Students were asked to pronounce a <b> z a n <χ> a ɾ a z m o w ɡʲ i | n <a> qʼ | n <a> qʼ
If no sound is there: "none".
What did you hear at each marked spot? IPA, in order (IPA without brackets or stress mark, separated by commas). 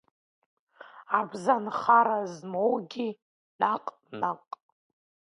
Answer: b, χ, a, a